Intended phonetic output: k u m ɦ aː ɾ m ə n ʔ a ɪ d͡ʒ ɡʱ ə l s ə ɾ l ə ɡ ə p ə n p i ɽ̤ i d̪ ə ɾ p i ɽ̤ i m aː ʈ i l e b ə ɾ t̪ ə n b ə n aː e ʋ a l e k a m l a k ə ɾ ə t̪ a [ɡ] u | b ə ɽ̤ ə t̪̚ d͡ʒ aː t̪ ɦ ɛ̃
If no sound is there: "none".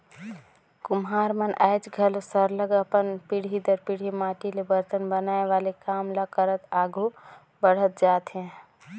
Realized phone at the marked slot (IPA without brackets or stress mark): ɡ